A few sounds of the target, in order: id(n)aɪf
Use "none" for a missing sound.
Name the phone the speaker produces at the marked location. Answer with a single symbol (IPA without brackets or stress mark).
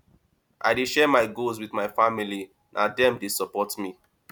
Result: m